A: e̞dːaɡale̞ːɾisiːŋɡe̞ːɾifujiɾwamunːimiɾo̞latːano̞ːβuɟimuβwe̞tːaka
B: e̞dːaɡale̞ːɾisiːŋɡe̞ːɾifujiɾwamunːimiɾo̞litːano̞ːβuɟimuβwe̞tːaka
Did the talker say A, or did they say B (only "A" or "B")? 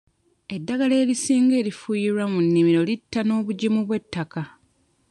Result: B